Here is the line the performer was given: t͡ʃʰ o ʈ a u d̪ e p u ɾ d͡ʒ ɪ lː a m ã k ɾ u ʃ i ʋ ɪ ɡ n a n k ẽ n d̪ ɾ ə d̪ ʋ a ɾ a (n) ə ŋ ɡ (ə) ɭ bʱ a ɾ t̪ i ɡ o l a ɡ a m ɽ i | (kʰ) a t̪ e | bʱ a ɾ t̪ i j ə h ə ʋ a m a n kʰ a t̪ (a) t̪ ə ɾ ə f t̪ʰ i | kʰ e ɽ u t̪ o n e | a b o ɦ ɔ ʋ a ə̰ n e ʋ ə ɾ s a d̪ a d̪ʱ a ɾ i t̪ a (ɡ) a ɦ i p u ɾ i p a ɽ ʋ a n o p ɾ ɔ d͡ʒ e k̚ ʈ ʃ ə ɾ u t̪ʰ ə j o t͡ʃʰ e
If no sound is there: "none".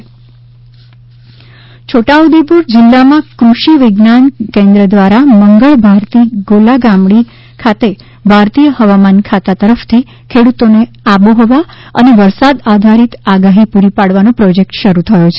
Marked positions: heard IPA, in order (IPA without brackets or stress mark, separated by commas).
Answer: m, ə, kʰ, a, ɡ